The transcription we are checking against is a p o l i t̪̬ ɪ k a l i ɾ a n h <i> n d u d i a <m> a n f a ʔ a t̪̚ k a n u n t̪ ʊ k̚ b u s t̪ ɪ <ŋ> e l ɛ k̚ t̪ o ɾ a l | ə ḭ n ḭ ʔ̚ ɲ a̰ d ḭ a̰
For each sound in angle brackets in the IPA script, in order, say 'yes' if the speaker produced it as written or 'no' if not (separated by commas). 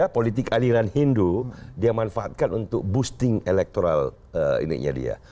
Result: yes, yes, yes